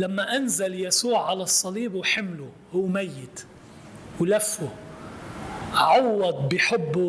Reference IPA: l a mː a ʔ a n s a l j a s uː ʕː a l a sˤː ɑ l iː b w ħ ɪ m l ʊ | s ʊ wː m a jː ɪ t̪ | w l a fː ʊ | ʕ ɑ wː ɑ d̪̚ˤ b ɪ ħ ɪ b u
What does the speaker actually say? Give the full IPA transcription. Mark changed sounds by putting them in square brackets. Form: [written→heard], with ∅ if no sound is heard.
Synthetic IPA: l a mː a ʔ a n [s→z] a l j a s uː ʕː a l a sˤː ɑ l iː b w ħ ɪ m l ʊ | [s→h] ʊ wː m a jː ɪ t̪ | w l a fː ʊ | ʕ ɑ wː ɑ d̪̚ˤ b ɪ ħ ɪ [b→bː] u